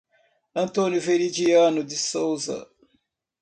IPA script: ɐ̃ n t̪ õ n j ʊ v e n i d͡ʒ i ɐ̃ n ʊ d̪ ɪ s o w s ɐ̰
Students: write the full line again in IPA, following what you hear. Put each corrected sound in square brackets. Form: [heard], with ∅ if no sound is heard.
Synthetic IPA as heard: ɐ̃ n t̪ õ n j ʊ v e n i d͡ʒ i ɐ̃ n ʊ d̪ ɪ s o w [z] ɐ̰